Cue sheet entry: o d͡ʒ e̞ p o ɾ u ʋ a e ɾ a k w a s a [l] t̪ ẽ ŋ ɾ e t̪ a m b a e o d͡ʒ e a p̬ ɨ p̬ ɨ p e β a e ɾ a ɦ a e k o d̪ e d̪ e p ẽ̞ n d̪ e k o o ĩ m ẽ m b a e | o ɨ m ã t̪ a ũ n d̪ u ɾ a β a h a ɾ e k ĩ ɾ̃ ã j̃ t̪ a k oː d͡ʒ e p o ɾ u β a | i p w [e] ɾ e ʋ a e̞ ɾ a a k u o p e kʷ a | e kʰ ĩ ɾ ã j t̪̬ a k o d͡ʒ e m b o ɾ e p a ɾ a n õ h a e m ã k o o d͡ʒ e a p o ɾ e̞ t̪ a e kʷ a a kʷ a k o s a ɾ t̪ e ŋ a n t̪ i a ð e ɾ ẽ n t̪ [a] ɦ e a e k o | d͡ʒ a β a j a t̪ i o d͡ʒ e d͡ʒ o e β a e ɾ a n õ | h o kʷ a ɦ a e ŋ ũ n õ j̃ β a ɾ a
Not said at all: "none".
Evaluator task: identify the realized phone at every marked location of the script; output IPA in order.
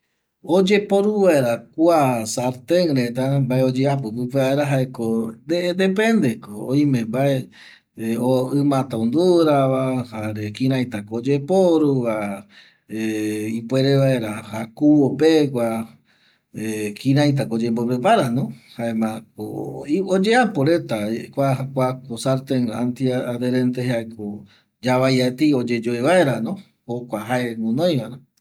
ɾ, e, e

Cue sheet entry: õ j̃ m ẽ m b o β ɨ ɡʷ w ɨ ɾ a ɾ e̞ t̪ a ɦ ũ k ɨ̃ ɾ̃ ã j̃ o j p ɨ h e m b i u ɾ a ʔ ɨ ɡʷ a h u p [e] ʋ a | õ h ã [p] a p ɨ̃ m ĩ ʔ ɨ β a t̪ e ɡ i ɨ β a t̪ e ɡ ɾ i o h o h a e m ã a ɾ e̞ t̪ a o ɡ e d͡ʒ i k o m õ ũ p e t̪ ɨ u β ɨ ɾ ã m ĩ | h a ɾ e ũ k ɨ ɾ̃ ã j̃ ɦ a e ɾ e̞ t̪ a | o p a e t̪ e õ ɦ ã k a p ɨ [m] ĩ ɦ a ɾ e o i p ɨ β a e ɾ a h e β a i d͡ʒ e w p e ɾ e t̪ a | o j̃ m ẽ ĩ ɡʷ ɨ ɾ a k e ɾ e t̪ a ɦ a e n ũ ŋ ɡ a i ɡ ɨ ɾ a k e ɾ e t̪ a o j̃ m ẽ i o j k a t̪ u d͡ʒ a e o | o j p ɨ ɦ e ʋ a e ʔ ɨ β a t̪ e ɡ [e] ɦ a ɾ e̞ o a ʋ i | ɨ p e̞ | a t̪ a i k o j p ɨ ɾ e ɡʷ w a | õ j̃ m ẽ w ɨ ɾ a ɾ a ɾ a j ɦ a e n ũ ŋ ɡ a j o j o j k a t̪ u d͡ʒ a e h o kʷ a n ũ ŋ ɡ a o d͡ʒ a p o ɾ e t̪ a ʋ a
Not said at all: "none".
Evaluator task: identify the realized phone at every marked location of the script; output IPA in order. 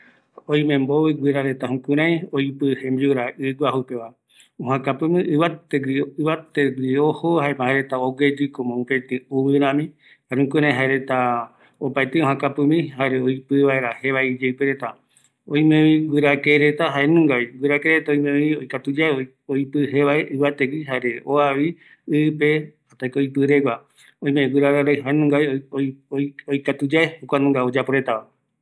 e, k, m, i

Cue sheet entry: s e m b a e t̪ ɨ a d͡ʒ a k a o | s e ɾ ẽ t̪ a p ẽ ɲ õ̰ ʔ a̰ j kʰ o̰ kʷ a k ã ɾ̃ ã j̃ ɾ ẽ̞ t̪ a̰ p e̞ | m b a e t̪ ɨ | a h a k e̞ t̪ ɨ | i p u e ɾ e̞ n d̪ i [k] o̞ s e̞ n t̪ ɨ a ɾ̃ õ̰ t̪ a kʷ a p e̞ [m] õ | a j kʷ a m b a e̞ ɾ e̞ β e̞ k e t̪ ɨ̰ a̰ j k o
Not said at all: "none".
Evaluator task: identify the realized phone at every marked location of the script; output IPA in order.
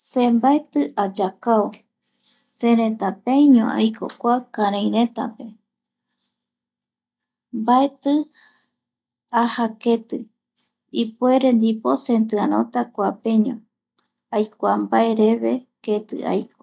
p, ɲ

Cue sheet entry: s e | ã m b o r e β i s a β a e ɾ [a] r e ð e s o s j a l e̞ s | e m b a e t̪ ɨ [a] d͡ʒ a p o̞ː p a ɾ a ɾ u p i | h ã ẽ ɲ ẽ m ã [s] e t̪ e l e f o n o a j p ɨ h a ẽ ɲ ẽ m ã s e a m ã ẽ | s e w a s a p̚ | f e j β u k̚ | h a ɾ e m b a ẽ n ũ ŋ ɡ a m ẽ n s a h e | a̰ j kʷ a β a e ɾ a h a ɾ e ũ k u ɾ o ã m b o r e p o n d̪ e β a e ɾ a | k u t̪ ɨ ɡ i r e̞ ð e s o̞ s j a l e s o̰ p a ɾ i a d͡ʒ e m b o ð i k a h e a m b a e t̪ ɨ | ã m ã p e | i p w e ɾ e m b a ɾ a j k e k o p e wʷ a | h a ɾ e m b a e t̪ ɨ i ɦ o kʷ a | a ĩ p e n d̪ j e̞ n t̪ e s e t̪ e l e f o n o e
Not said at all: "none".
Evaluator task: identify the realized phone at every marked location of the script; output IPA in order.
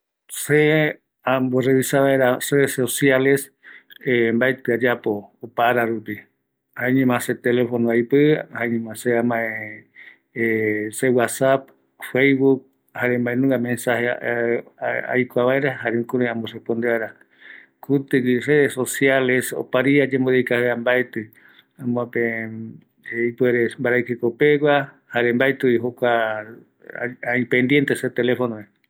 a, a, s

